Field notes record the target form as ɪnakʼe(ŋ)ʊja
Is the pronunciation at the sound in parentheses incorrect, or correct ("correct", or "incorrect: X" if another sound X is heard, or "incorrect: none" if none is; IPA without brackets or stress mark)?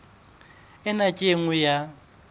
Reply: correct